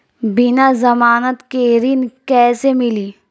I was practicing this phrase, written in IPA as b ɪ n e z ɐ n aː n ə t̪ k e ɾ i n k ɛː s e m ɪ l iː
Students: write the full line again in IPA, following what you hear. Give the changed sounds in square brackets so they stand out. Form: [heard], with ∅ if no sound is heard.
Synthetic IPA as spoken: b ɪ n [a] z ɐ [m] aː n ə t̪ k e ɾ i n k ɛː s e m ɪ l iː